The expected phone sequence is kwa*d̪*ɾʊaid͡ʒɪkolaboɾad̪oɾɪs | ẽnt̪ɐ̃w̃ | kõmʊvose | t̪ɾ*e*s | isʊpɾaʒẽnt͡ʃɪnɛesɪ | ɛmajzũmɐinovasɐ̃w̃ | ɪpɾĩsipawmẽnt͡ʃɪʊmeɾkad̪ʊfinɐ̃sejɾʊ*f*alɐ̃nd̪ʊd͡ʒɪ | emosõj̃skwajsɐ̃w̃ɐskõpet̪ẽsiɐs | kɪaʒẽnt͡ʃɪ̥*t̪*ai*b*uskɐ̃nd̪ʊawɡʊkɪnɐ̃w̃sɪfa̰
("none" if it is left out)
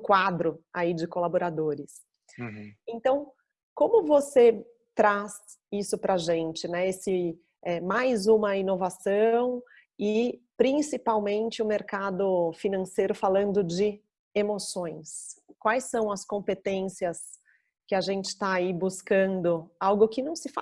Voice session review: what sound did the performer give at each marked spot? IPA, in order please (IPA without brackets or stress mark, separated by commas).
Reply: d̪, a, f, t̪, b